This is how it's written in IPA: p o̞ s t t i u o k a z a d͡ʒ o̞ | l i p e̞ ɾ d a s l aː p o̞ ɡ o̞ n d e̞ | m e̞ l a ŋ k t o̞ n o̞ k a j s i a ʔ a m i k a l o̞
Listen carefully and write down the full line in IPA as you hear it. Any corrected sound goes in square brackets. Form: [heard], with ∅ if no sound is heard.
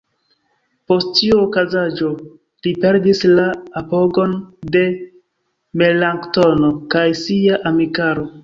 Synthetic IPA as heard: p o̞ s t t i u o k a z a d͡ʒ o̞ | l i p e̞ ɾ d [i] s l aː p o̞ ɡ o̞ n d e̞ | m e̞ l a ŋ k t o̞ n o̞ k a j s i a ʔ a m i k a [ɾ] o̞